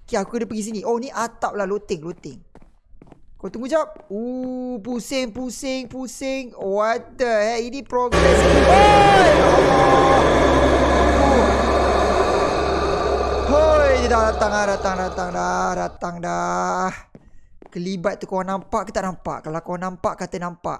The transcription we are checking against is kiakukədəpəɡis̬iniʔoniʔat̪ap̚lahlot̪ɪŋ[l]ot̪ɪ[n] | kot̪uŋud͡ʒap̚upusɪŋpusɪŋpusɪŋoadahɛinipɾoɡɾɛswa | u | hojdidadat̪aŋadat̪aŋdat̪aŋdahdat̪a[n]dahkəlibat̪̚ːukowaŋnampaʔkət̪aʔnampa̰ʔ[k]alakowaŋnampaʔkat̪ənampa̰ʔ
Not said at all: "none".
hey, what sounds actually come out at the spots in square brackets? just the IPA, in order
l, ŋ, ŋ, k

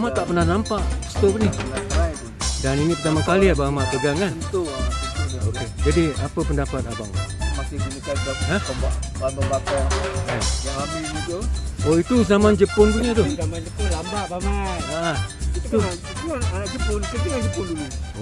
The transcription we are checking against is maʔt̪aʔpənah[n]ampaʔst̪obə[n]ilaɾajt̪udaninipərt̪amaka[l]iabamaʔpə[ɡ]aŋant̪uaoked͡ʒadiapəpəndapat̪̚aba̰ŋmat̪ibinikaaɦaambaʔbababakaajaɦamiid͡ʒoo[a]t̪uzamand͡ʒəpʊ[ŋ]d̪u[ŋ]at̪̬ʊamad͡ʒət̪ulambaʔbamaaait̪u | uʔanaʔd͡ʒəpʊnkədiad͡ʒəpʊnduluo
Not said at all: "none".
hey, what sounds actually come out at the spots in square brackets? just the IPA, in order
n, n, l, ɡ, i, n, ɲ

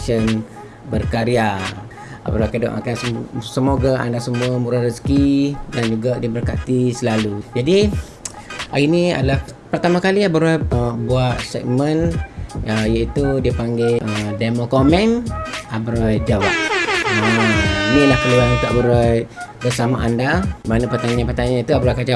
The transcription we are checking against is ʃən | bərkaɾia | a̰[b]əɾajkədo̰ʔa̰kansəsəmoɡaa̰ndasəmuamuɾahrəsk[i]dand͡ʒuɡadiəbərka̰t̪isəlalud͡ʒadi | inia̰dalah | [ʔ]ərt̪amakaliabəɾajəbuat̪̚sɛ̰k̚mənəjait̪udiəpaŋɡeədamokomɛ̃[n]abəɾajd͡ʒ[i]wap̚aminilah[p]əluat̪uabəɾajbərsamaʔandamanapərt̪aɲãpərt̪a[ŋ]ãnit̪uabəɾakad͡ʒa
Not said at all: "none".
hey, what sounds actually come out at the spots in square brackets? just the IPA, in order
b, i, p, n, a, k, ɲ

